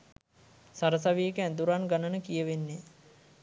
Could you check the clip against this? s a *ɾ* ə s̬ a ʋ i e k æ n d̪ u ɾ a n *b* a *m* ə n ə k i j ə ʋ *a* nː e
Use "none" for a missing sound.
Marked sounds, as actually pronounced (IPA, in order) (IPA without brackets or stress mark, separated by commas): ɾ, ɡ, n, e